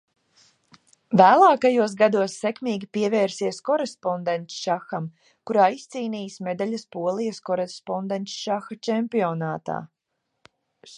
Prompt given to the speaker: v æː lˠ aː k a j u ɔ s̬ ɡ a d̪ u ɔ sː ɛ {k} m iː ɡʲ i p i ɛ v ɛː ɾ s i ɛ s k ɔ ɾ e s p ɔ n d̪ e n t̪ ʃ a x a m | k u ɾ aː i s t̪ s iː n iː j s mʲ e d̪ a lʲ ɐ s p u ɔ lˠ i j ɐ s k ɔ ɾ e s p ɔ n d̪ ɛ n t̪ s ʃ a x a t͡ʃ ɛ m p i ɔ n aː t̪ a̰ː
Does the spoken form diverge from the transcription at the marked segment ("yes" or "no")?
no